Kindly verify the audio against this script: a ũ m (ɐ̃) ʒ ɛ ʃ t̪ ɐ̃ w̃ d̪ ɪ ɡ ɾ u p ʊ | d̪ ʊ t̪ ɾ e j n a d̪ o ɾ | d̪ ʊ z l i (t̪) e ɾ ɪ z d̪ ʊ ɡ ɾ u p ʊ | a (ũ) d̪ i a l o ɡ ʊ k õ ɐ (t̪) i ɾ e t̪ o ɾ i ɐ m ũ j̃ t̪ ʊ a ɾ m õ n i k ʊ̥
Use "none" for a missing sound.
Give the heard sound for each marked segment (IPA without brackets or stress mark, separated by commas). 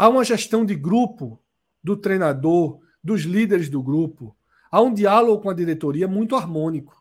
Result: ɐ, d̪, ũ, d̪